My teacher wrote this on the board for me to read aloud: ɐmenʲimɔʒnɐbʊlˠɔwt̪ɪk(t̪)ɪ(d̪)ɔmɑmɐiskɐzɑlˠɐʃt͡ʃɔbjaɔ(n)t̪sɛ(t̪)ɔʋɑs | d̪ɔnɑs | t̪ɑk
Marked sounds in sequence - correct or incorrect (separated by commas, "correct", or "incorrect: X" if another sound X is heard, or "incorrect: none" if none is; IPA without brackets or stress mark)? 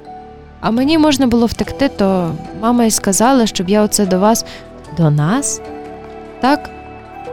correct, incorrect: t̪, incorrect: none, incorrect: d̪